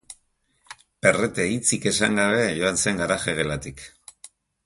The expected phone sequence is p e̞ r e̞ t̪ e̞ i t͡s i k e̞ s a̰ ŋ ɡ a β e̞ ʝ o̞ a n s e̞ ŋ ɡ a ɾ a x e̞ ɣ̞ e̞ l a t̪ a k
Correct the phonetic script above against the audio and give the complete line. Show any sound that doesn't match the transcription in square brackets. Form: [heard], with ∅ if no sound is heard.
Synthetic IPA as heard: p e̞ r e̞ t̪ e̞ i t͡s i k e̞ s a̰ ŋ ɡ a β e̞ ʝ o̞ a n s e̞ ŋ ɡ a ɾ a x e̞ ɣ̞ e̞ l a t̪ [i] k